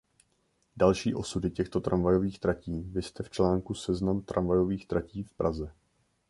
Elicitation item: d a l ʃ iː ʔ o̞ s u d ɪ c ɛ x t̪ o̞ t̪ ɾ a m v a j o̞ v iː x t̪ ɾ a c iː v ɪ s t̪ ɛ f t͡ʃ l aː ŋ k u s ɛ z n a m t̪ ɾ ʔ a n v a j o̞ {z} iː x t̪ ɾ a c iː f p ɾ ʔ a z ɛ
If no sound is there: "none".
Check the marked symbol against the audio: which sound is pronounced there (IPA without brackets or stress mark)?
v